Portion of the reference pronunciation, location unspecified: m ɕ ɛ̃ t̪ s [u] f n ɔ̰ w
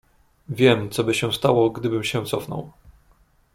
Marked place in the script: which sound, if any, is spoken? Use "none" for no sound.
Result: ɔ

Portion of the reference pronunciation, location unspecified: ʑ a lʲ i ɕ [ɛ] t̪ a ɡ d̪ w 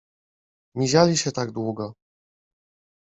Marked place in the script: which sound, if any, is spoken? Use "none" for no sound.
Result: ɛ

